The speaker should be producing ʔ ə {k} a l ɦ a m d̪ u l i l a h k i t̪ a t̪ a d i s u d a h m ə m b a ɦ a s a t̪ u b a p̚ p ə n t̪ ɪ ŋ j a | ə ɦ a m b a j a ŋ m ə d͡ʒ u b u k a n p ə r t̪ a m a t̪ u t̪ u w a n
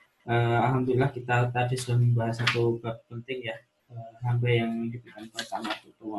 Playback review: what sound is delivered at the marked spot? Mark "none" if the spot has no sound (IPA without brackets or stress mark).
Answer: none